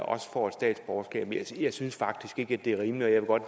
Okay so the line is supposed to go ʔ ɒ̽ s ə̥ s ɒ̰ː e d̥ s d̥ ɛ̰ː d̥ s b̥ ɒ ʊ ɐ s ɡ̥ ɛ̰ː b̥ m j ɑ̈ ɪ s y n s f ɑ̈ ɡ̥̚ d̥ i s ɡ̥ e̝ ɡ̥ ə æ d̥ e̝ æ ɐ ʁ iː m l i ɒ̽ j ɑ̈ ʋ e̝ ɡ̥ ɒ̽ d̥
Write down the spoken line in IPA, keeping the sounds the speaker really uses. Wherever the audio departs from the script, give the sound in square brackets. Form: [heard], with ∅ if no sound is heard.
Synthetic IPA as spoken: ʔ ɒ̽ s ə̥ [f] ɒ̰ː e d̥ s d̥ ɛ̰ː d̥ s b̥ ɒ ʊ ɐ s ɡ̥ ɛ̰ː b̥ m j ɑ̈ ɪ s y n s f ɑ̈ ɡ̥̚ d̥ i s ɡ̥ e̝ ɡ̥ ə æ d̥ e̝ æ ɐ ʁ iː m l i ɒ̽ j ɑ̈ ʋ e̝ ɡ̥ ɒ̽ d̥